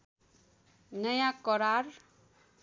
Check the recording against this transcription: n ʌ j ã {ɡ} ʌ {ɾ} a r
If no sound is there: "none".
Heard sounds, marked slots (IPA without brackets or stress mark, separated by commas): k, ɾ